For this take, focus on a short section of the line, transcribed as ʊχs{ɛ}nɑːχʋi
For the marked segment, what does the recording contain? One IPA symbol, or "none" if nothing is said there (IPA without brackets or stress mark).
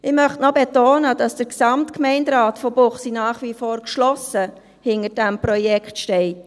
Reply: i